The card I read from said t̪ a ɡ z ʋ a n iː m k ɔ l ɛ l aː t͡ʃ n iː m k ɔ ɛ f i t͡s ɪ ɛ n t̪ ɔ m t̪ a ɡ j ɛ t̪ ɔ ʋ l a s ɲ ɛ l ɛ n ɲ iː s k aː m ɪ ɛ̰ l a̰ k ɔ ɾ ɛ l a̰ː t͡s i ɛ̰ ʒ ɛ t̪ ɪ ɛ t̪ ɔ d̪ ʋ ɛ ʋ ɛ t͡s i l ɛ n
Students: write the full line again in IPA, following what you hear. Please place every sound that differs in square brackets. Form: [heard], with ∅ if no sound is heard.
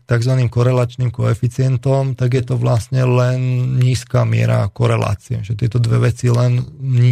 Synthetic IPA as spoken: t̪ a ɡ z ʋ a n iː m k ɔ [ɾ] ɛ l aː t͡ʃ n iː m k ɔ ɛ f i t͡s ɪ ɛ n t̪ ɔ m t̪ a ɡ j ɛ t̪ ɔ ʋ l a s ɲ ɛ l ɛ n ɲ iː s k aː m ɪ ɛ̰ [ɾ] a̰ k ɔ ɾ ɛ l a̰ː t͡s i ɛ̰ ʒ ɛ t̪ ɪ ɛ t̪ ɔ d̪ ʋ ɛ ʋ ɛ t͡s i l ɛ n